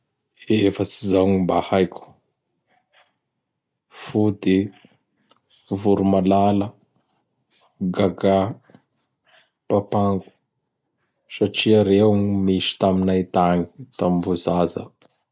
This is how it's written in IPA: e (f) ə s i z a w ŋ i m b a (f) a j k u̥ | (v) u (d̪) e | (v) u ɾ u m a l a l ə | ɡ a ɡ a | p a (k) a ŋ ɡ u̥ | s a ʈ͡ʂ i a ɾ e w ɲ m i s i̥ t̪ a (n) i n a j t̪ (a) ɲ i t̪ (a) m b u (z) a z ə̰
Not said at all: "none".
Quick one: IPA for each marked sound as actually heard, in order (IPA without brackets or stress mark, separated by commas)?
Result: f, h, f, d̪, v, p, m, a, a, z